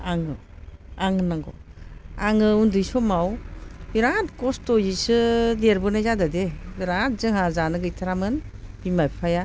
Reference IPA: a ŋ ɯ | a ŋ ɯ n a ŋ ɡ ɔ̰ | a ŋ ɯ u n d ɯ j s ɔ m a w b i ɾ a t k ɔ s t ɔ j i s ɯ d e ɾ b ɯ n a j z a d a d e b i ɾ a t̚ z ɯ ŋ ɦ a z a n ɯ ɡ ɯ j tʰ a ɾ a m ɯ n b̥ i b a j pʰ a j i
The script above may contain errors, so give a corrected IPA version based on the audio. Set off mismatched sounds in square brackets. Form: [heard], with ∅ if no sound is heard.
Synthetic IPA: a ŋ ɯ | a ŋ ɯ n a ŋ ɡ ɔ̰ | a ŋ ɯ u n d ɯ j s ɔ m a w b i ɾ a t k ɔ s t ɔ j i s ɯ d e ɾ b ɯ n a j z a d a d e b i ɾ a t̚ z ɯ ŋ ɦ a z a n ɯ ɡ ɯ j tʰ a ɾ a m ɯ n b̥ i [m] a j pʰ a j [a]